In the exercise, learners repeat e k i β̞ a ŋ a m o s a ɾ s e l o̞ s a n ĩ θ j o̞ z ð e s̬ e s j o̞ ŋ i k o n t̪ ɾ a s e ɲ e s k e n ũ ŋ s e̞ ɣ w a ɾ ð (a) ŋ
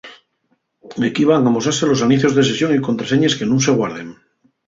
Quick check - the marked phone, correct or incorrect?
incorrect